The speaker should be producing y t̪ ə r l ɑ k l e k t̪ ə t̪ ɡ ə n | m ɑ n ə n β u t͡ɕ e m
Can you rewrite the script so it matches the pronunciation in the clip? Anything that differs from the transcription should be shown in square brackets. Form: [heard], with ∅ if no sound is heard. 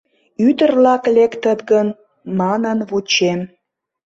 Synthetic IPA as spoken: y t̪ ə r l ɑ k l e k t̪ ə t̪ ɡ ə n | m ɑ n ə n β u t͡ɕ e m

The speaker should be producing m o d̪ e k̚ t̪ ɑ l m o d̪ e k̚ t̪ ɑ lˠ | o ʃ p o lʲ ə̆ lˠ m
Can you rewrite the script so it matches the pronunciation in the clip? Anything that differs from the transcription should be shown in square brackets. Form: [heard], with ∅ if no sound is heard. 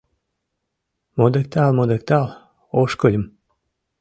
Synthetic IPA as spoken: m o d̪ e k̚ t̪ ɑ l m o d̪ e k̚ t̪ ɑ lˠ | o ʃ [k] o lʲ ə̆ [∅] m

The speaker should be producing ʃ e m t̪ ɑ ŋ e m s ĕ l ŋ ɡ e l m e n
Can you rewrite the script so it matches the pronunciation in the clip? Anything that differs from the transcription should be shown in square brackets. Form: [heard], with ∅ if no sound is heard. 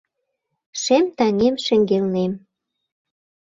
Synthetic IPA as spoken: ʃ e m t̪ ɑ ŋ e m [ʃ] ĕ [∅] ŋ ɡ e l [n] e [m]

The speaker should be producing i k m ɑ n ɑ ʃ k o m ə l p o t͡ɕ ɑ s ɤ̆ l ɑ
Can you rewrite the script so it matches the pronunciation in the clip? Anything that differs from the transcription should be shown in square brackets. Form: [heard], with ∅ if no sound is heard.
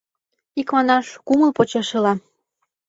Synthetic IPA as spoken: i k m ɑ n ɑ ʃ k [u] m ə l p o t͡ɕ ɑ [ʃ] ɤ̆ l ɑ

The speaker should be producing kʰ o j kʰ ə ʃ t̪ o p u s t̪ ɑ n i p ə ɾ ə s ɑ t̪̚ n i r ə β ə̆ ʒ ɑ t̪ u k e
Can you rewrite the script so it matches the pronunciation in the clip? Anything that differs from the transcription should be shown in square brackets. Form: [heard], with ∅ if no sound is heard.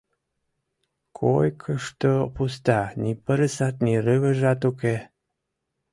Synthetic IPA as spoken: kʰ o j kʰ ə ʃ t̪ o p u s t̪ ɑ n i p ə ɾ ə s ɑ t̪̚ n i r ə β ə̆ ʒ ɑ t̪ u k e

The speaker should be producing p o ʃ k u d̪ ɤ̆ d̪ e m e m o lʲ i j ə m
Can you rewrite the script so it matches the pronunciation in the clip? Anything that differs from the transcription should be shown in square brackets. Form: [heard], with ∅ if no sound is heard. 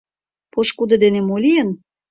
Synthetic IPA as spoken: p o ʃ k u d̪ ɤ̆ d̪ e [n] e m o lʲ i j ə [n]

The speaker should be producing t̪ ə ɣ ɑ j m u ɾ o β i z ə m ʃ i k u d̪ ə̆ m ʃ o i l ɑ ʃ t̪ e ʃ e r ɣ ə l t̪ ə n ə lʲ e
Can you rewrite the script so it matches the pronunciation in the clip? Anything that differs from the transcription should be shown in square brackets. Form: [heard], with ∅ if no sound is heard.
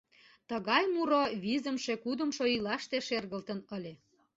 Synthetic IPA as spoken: t̪ ə ɣ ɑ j m u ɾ o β i z ə m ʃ [e] k u d̪ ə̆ m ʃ o i l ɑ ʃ t̪ e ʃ e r ɣ ə l t̪ ə n ə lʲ e

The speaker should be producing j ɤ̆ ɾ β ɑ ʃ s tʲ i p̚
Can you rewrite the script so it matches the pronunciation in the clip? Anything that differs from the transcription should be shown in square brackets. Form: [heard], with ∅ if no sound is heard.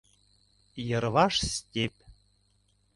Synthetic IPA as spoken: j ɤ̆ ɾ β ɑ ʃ s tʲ [e] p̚

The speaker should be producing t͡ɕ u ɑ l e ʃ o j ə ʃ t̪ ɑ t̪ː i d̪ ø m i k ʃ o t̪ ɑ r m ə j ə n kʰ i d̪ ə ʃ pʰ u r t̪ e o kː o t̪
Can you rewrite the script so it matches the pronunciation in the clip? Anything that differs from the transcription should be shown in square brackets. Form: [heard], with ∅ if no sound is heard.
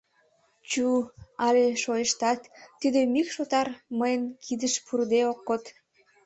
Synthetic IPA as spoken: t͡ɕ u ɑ l e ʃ o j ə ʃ t̪ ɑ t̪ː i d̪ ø m i k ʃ o t̪ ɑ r m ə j ə n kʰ i d̪ ə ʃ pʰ u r [d̪] e o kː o t̪

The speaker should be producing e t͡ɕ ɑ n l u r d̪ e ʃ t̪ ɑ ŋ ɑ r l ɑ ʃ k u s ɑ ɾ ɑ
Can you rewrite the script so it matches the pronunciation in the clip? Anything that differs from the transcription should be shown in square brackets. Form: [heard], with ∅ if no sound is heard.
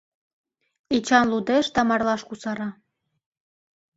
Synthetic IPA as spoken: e t͡ɕ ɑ n l u [∅] d̪ e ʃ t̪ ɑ [m] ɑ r l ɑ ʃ k u s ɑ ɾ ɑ

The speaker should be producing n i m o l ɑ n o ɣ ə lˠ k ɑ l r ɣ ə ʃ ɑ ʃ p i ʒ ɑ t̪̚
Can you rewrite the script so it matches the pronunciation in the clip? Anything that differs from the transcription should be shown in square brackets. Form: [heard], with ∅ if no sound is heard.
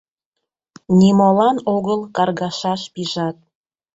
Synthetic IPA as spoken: n i m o l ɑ n o ɣ ə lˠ k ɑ [∅] r ɣ [ɑ] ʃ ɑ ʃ p i ʒ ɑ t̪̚

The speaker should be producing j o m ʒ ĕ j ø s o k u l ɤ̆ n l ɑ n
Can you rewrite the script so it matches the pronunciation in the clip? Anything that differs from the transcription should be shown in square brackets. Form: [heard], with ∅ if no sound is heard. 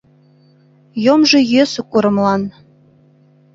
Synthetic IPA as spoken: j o m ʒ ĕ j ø s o k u [ɾ] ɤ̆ [m] l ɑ n

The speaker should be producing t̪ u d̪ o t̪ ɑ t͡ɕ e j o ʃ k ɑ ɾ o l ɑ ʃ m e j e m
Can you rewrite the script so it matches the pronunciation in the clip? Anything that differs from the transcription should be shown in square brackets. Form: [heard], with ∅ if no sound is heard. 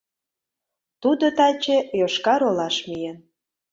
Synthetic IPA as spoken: t̪ u d̪ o t̪ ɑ t͡ɕ e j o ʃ k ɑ ɾ o l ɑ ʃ m [i] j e [n]

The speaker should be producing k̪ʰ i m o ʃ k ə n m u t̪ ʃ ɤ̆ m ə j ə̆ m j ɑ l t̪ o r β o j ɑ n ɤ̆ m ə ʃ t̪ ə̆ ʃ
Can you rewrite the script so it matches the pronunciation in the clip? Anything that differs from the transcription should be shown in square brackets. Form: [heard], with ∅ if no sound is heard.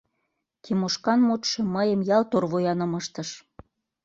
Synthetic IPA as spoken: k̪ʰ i m o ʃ k [ɑ] n m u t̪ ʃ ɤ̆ m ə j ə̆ m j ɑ l t̪ o r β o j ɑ n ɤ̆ m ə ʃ t̪ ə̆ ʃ

